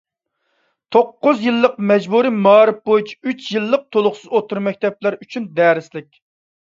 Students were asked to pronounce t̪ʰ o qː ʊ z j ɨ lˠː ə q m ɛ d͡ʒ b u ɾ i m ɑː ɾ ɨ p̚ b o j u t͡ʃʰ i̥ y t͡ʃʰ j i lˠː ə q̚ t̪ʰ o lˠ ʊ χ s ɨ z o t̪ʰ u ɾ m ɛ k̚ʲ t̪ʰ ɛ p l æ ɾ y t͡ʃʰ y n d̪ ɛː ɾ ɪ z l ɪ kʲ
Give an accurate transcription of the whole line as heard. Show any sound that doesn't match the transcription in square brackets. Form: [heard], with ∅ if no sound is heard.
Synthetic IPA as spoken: t̪ʰ o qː ʊ z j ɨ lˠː ə q m ɛ d͡ʒ b u ɾ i m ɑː ɾ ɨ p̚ b o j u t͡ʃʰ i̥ y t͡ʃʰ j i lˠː ə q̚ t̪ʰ o lˠ ʊ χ s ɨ z o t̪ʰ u ɾ m ɛ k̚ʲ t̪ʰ ɛ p l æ ɾ y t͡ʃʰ y n d̪ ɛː ɾ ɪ [s] l ɪ kʲ